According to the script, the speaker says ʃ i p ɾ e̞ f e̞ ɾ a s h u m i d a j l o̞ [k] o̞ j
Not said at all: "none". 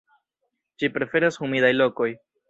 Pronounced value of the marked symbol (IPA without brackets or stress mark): k